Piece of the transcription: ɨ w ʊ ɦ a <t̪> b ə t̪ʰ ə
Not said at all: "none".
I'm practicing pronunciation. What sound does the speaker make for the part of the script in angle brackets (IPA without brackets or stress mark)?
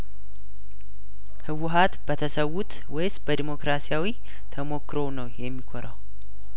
t̪